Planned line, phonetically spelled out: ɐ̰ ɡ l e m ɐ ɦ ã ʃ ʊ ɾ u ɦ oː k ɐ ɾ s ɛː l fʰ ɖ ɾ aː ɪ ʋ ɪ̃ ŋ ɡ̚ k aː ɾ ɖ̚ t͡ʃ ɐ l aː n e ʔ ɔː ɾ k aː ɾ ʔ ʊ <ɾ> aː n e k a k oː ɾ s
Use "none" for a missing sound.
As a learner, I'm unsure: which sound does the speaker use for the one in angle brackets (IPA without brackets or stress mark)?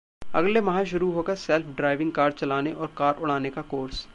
ɽ